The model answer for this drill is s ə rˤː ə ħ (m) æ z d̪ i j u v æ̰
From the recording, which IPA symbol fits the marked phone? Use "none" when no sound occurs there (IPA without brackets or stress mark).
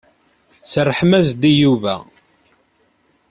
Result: m